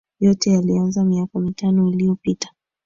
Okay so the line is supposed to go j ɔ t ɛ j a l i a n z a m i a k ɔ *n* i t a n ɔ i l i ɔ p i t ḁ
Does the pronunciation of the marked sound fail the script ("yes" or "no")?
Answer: yes